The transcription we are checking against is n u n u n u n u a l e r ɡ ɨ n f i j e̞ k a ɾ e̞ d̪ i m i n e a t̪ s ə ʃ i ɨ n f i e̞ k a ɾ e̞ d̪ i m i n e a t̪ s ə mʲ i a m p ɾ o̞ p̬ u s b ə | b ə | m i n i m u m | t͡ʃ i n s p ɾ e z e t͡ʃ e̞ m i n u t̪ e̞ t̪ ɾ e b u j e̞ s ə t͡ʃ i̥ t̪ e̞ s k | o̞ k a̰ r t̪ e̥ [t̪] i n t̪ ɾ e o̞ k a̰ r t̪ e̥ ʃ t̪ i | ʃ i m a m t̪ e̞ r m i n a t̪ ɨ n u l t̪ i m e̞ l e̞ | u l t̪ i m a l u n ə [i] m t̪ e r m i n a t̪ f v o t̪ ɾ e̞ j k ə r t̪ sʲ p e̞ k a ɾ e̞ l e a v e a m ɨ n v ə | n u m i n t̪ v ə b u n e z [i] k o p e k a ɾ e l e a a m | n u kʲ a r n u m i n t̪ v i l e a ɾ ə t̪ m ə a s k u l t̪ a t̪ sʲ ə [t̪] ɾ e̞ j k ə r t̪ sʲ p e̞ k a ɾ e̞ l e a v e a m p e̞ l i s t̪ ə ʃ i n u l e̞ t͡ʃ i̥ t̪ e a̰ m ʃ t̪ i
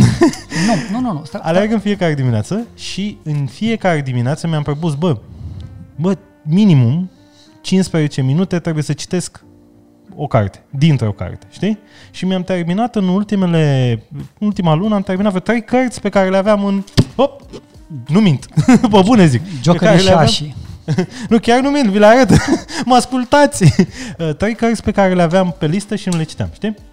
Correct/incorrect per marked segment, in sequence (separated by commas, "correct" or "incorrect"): incorrect, incorrect, correct, correct